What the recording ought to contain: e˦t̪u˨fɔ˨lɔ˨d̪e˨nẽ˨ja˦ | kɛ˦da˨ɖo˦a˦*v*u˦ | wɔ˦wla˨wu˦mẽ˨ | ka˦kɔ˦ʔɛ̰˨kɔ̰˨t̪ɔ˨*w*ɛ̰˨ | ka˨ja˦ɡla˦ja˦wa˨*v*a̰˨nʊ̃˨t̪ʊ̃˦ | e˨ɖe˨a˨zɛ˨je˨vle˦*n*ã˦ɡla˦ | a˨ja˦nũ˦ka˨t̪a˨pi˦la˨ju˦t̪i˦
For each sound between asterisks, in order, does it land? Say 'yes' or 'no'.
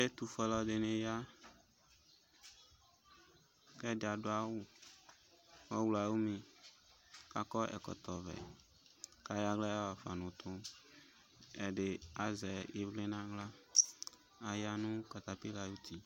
no, no, no, yes

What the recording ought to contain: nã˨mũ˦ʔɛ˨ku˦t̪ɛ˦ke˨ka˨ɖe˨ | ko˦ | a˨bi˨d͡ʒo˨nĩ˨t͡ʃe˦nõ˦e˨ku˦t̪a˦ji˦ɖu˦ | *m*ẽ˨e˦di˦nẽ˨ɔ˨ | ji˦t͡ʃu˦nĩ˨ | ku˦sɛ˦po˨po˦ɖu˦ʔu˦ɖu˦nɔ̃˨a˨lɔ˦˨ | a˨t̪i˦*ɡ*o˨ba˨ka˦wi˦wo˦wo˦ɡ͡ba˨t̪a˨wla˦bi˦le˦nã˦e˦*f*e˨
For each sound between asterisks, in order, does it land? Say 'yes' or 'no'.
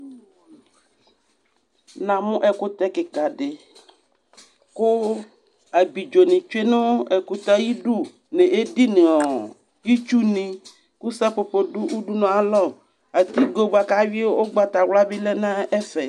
no, yes, yes

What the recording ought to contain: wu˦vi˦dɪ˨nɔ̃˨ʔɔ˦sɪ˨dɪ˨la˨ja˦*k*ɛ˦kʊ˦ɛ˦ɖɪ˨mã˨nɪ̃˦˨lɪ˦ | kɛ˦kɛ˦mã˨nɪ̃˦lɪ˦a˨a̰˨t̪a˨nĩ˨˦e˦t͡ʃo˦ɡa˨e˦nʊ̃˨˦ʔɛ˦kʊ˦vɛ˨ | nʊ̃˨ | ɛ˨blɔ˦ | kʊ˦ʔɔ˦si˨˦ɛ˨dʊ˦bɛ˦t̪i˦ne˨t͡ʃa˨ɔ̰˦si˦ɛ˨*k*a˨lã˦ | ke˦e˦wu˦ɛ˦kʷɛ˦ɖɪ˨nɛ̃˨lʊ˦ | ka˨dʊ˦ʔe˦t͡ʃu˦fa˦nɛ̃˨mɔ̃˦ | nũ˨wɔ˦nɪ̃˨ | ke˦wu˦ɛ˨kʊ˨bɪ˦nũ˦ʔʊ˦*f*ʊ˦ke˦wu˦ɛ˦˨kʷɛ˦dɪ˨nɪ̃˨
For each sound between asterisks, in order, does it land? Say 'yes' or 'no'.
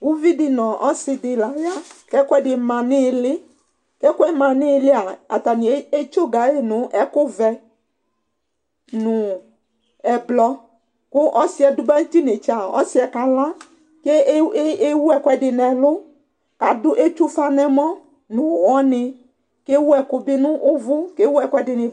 yes, yes, no

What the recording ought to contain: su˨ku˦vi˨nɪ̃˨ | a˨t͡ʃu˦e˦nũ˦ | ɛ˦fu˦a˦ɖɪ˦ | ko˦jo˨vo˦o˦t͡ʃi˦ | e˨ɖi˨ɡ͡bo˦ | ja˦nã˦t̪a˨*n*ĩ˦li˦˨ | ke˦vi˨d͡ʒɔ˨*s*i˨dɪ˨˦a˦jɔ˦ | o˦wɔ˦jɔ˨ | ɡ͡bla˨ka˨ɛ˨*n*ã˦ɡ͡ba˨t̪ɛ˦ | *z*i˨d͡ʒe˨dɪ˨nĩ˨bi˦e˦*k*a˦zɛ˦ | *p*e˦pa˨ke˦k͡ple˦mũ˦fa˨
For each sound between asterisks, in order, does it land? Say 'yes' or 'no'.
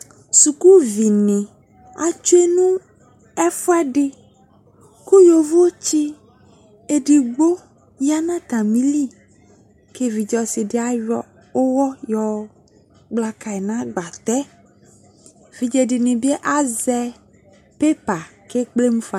no, yes, yes, no, no, yes

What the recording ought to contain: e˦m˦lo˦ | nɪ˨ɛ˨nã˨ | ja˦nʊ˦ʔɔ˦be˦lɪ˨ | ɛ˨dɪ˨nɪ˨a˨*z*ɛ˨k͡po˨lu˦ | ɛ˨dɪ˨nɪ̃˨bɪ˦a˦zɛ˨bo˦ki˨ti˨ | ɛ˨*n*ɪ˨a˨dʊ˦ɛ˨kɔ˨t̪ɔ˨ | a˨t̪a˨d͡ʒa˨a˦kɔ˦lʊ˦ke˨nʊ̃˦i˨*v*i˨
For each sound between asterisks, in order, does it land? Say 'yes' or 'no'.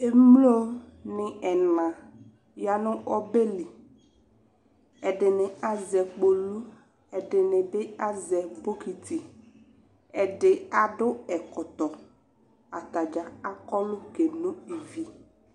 yes, no, yes

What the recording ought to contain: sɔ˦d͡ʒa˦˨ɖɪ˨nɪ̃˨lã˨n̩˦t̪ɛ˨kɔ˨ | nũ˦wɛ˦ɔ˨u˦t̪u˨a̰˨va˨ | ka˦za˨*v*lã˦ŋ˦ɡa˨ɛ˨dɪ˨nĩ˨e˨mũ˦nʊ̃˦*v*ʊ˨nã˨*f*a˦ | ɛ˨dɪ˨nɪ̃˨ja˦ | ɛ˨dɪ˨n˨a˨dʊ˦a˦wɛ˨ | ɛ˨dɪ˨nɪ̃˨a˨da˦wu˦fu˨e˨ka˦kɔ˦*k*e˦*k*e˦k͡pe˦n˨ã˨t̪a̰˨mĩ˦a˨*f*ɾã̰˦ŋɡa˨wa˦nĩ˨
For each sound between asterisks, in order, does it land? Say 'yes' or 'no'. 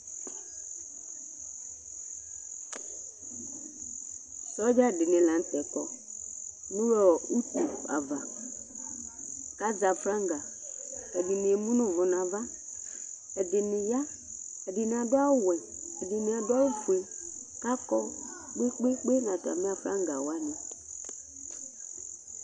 no, yes, no, no, no, yes

